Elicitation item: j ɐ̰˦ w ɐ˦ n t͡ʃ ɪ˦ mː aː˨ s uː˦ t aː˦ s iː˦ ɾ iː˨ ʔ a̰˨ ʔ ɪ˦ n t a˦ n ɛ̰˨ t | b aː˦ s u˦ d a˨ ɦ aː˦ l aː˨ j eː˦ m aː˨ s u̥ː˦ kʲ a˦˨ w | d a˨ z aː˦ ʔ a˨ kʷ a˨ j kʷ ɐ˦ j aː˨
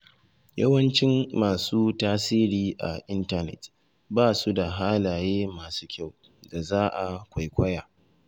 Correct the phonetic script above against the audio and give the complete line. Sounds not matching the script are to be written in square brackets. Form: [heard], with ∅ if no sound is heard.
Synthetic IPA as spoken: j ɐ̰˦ w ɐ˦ n t͡ʃ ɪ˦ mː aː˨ s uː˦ t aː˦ s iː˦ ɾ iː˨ ʔ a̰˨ ʔ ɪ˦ n t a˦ n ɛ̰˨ t | b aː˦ s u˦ d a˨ ɦ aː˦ l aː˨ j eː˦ m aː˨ s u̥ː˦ kʲ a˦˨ w | d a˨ z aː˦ ʔ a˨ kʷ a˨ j kʷ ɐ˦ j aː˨